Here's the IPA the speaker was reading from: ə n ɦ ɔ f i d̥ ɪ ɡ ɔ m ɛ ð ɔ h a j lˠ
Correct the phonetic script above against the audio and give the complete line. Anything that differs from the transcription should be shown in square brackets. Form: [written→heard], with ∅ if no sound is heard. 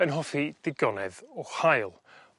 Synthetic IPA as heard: ə n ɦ ɔ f i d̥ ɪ ɡ ɔ [m→n] ɛ ð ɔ h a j lˠ

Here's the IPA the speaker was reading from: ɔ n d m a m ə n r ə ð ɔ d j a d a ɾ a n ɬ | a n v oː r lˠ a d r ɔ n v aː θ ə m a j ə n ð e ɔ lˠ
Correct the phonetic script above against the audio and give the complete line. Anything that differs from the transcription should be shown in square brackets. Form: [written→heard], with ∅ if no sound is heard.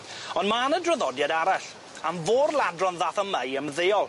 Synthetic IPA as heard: ɔ n d m a [m→n] ə [n→d] r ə ð ɔ d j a d a ɾ a [n→∅] ɬ | a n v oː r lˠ a d r ɔ n [v→ð] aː θ ə m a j ə [n→m] ð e ɔ lˠ

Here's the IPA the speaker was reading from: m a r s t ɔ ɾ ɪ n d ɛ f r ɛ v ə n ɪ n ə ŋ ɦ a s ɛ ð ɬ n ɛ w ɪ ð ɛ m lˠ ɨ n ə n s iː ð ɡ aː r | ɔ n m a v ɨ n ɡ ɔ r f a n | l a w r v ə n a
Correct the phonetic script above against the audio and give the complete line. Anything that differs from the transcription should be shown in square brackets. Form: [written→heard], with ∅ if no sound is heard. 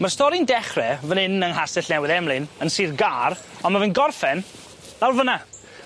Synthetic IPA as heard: m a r s t ɔ ɾ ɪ n d ɛ [f→χ] r ɛ v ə n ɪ n ə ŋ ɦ a s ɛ [ð→∅] ɬ n ɛ w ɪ ð ɛ m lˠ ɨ n ə n s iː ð ɡ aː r | ɔ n m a v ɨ n ɡ ɔ r f [a→ɛ] n | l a w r v ə n a

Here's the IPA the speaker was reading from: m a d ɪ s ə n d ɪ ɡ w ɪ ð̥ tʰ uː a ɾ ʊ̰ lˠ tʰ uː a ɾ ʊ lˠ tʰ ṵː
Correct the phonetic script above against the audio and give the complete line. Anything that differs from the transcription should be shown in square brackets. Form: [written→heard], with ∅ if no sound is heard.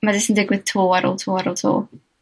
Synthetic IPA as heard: m a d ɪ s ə n d ɪ ɡ w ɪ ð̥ tʰ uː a ɾ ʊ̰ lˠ tʰ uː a ɾ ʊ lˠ tʰ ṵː

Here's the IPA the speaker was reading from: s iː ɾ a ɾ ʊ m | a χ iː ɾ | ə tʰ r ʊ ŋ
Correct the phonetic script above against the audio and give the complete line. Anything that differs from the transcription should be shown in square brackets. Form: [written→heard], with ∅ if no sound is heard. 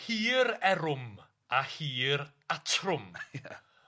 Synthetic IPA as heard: [s→h] iː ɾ [a→ɛ] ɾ ʊ m | a [χ→h] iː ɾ | [ə→a] tʰ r ʊ [ŋ→m]

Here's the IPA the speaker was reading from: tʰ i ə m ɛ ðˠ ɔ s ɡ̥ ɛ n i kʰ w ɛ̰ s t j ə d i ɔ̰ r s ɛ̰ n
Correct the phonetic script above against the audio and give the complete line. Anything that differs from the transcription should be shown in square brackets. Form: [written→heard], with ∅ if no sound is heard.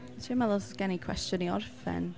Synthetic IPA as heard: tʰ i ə m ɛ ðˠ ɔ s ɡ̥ ɛ n i kʰ w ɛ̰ s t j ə [d→n] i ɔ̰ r [s→f] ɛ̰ n

